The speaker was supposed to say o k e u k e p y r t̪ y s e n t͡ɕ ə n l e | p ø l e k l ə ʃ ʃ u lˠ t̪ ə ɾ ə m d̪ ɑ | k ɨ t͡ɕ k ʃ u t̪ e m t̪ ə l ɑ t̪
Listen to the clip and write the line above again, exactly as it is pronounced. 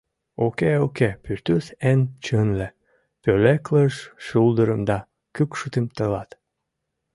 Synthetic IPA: o k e o k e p y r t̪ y s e n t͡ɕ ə n l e | p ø l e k l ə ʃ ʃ u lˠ d̪ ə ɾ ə m d̪ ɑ | k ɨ k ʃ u t̪ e m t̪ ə l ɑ t̪